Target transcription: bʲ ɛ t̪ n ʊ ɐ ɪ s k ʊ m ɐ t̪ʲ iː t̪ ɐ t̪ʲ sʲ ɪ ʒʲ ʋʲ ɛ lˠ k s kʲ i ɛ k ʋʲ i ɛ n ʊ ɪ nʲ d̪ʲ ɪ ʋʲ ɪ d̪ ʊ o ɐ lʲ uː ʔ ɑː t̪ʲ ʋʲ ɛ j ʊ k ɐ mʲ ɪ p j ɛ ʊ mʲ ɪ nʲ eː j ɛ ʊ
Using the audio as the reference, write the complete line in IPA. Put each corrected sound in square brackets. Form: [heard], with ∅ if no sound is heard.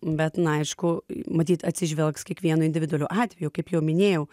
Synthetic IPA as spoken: bʲ ɛ t̪ n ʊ ɐ ɪ [ʃ] k ʊ m ɐ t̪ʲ iː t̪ ɐ t̪ʲ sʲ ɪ ʒʲ ʋʲ ɛ lˠ k s kʲ i ɛ k ʋʲ i ɛ n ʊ ɪ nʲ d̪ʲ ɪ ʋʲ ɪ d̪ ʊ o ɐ lʲ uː ʔ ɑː t̪ʲ ʋʲ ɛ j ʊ k ɐ [∅] ɪ p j ɛ ʊ mʲ ɪ nʲ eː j ɛ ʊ